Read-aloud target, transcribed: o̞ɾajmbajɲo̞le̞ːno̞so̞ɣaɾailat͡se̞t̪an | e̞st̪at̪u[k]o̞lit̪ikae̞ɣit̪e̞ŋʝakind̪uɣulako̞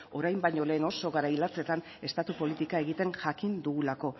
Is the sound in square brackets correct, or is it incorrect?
incorrect